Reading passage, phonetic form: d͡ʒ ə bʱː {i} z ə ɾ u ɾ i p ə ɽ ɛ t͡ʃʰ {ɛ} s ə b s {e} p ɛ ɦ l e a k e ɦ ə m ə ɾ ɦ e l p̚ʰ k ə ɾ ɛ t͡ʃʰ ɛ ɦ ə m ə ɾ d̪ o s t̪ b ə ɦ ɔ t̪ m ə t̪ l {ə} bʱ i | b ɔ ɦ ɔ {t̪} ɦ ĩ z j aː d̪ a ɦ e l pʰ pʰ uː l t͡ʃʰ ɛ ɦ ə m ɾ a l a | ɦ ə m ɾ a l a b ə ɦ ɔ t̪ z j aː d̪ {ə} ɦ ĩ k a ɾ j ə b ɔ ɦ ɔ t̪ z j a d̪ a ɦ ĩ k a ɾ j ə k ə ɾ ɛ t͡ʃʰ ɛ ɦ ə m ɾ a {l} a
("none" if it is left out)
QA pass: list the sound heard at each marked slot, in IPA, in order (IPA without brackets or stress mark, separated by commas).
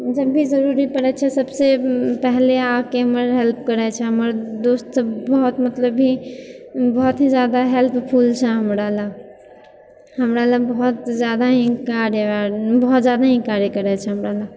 i, ɛ, e, ə, t̪, a, l